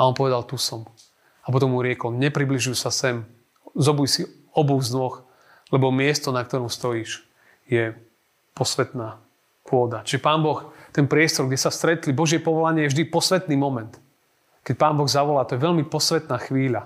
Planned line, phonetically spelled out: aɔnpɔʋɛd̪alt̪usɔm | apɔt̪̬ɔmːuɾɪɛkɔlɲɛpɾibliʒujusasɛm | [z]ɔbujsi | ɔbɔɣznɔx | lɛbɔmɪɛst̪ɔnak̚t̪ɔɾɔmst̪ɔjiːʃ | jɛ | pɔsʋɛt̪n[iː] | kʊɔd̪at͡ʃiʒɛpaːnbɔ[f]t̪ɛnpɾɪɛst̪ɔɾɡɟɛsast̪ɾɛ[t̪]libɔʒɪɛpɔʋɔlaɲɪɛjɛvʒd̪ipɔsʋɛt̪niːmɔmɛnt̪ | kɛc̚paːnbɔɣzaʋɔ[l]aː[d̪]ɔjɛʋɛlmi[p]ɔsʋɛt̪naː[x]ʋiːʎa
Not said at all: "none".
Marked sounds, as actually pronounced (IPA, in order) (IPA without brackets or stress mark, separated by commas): z, aː, x, t̪, l, t̪, p, x